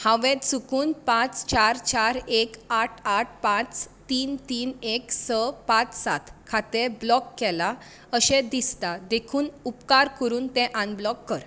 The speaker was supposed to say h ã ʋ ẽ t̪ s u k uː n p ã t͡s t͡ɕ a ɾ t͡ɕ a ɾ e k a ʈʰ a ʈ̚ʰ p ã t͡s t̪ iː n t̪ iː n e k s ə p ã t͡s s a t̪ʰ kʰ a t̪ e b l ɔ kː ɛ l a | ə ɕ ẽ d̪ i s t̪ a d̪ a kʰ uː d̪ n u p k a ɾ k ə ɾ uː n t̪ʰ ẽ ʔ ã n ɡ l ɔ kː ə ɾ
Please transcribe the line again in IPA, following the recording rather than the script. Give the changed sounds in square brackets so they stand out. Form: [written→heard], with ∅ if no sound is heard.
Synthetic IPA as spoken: h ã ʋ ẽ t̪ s u k uː n p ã t͡s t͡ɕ a ɾ t͡ɕ a ɾ e k a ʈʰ a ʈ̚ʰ p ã t͡s t̪ iː n t̪ iː n e k s ə p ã t͡s s a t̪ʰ kʰ a t̪ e b l ɔ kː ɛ l a | ə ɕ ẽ d̪ i s t̪ a d̪ [a→e] kʰ uː [d̪→∅] n u p k a ɾ k ə ɾ uː n [t̪ʰ→t̪] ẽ ʔ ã n [ɡ→b] l ɔ kː ə ɾ